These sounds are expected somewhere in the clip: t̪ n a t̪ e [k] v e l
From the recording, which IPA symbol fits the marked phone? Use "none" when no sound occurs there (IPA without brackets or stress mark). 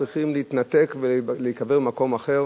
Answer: k